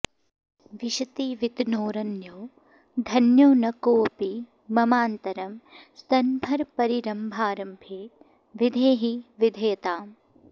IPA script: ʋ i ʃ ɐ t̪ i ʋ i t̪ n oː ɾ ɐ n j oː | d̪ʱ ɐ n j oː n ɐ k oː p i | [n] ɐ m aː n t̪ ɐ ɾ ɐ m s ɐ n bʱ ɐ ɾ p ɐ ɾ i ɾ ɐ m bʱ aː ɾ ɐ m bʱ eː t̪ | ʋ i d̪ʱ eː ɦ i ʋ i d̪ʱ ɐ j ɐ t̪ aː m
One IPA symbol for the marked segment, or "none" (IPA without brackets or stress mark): m